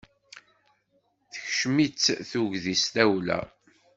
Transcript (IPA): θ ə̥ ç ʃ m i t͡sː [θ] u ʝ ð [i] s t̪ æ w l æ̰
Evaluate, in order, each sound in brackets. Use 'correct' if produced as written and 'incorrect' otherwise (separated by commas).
correct, correct